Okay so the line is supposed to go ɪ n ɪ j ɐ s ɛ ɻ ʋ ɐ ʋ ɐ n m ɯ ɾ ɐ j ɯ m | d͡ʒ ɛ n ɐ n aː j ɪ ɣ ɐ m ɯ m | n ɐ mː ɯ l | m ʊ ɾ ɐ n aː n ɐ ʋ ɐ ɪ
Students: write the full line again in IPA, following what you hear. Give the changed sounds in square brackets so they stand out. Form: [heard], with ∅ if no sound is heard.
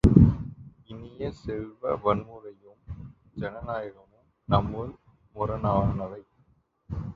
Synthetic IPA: ɪ n ɪ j ɐ s ɛ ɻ ʋ ɐ ʋ ɐ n m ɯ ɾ ɐ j ɯ m | d͡ʒ ɛ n ɐ n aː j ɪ ɣ ɐ m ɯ m | n ɐ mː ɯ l | m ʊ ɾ ɐ n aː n ɐ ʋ ɐ ɪ

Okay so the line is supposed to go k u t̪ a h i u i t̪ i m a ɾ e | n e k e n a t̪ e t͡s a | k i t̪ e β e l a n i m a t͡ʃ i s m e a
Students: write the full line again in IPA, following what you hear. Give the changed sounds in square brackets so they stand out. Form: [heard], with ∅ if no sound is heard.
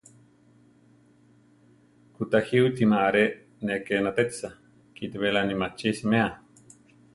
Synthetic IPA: k u t̪ a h i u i t̪ i m a ɾ e | n e k e n a t̪ e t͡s a | k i t̪ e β e l a n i m a t͡ʃ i s m e a

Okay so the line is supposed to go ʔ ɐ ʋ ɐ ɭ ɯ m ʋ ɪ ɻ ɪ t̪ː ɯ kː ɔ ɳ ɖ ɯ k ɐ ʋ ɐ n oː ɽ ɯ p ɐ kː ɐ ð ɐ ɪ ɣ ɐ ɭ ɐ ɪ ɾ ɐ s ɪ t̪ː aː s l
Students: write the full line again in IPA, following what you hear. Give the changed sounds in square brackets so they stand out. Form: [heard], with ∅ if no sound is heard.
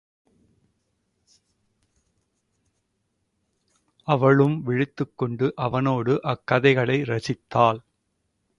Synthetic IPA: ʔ ɐ ʋ ɐ ɭ ɯ m ʋ ɪ ɻ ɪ t̪ː ɯ kː ɔ ɳ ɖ ɯ [ʔ] ɐ ʋ ɐ n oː ɽ ɯ [ʔ] ɐ kː ɐ ð ɐ ɪ ɣ ɐ ɭ ɐ ɪ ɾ ɐ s ɪ t̪ː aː [∅] l

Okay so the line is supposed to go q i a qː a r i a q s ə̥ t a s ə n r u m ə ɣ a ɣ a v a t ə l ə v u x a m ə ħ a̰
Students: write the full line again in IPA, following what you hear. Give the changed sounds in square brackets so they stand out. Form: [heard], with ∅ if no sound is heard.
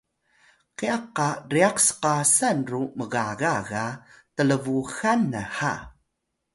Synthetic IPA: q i a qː a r i a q s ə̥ [q] a s [a] n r u m ə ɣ a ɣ a [ɣ] a t ə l ə v u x a [n] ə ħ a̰

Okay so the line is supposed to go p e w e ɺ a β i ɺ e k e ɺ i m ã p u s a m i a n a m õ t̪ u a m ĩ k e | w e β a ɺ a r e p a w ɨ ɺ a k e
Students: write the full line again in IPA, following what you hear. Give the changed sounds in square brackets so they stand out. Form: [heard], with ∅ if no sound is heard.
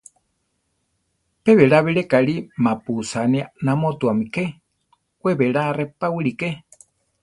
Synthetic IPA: p e [β] e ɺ a β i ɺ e k [a] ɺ i m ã p u s a [n] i a n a m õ t̪ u a m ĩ k e | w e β [e] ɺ a r e p a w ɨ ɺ [i] k e

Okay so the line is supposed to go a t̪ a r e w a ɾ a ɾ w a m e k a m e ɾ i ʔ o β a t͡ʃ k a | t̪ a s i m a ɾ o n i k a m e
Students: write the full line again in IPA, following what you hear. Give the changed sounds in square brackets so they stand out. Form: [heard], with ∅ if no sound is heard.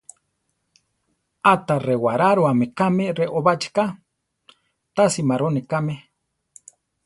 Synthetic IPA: a t̪ a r e w a ɾ a ɾ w a m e k a m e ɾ [e] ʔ o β a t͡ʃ k a | t̪ a s i m a ɾ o n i k a m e

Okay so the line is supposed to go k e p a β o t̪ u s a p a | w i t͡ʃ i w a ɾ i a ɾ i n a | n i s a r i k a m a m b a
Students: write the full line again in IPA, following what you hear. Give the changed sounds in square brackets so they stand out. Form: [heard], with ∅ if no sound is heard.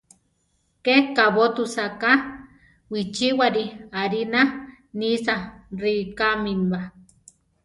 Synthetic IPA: k e [k] a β o t̪ u s a [k] a | w i t͡ʃ i w a ɾ i a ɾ i n a | n i s a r i k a m [i] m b a

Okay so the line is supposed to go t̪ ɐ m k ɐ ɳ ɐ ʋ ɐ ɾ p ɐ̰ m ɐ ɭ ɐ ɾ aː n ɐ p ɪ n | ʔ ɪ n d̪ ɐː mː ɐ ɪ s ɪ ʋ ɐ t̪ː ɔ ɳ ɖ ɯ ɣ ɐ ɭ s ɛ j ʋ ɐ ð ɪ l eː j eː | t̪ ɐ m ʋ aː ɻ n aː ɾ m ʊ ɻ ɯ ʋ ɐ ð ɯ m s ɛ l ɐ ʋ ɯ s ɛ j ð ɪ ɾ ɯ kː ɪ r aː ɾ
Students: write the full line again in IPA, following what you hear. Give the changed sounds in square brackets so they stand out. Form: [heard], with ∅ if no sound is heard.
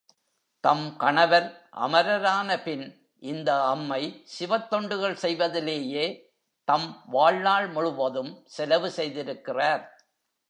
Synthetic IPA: t̪ ɐ m k ɐ ɳ ɐ ʋ ɐ ɾ [ʔ] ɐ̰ m ɐ [ɾ] ɐ ɾ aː n ɐ p ɪ n | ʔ ɪ n d̪ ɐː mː ɐ ɪ s ɪ ʋ ɐ t̪ː ɔ ɳ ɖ ɯ ɣ ɐ ɭ s ɛ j ʋ ɐ ð ɪ l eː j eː | t̪ ɐ m ʋ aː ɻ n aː [ɭ] m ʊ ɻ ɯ ʋ ɐ ð ɯ m s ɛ l ɐ ʋ ɯ s ɛ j ð ɪ ɾ ɯ kː ɪ r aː ɾ

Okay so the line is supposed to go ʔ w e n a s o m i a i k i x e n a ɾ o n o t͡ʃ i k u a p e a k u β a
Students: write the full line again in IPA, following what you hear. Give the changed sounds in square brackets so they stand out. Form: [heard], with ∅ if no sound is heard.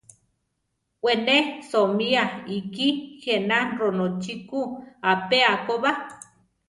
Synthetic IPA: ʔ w e n [e] s o m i a i k i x e n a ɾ o n o t͡ʃ i k u a p e a k [o] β a

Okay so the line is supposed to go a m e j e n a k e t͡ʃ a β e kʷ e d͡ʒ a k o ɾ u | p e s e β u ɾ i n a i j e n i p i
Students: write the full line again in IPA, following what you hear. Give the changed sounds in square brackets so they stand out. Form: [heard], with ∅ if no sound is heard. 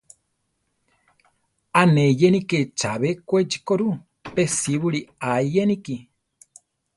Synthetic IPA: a [n] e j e n [i] k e t͡ʃ a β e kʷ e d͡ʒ [i] k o ɾ u | p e s [i] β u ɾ i [∅] a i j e n i [k] i

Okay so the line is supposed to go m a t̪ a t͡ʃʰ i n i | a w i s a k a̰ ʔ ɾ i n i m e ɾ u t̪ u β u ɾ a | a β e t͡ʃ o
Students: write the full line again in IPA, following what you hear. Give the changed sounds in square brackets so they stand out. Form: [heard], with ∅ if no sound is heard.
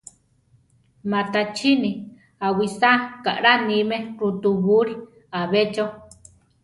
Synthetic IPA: m a t̪ a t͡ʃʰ i n i | a w i s a k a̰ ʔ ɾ [a] n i m e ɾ u t̪ u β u ɾ [i] | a β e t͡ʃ o

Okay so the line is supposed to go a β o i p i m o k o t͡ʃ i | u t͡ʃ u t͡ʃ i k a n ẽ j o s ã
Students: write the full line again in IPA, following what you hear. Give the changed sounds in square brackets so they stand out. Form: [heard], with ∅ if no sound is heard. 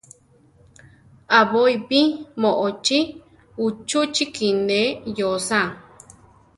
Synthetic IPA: a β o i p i m o [ʔ] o t͡ʃ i | u t͡ʃ u t͡ʃ i k [i] n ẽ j o s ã

